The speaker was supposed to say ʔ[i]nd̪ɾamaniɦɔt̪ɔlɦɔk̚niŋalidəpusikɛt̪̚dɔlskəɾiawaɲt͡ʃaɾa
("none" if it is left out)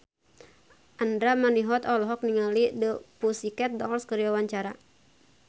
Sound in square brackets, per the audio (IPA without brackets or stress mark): a